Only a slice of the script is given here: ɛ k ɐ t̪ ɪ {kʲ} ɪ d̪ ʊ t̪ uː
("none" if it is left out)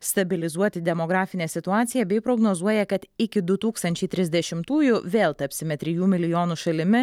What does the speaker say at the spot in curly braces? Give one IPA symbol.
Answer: kʲ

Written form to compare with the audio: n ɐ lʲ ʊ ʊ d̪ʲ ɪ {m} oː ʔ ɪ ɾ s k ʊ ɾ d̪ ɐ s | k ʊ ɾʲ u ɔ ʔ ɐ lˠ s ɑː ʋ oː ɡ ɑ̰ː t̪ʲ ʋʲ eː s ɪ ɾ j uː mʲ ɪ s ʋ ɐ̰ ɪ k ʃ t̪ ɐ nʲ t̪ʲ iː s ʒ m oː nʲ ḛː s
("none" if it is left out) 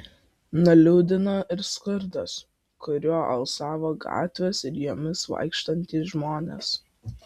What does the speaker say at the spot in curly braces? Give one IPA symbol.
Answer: n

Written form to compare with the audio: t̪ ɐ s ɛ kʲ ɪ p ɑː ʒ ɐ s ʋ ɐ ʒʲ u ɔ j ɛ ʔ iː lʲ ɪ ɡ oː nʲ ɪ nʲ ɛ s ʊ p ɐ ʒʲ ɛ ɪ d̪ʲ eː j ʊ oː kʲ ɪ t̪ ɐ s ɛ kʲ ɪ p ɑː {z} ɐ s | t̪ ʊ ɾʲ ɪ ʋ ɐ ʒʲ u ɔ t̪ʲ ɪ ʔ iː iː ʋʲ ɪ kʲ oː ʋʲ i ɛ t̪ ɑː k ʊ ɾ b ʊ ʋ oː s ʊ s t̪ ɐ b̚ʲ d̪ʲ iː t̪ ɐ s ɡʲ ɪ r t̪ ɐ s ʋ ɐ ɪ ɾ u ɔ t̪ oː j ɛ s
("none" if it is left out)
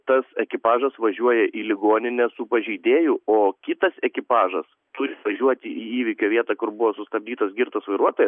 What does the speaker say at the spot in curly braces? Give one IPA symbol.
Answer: ʒ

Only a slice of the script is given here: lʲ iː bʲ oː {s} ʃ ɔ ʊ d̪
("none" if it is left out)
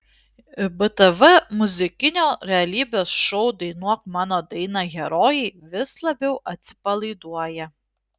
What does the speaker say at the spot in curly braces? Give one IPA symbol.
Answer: s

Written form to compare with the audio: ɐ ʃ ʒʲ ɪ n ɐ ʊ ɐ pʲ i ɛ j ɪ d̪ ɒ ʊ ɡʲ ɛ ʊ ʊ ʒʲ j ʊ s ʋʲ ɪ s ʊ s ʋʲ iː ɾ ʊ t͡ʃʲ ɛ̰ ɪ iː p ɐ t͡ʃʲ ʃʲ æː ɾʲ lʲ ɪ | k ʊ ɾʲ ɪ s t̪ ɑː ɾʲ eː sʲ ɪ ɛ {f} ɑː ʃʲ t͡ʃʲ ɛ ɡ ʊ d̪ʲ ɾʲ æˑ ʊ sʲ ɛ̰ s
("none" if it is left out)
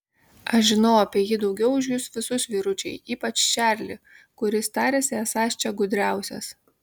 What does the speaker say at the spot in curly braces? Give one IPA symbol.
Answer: s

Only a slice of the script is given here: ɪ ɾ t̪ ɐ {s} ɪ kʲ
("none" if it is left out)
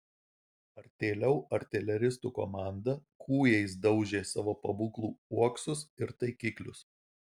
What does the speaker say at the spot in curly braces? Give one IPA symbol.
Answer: none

